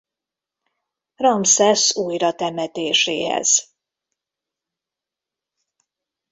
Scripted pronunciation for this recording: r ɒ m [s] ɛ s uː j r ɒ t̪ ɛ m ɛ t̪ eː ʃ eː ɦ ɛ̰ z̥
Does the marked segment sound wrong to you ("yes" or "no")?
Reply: no